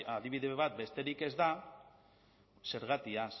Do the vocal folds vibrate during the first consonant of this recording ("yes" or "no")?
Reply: yes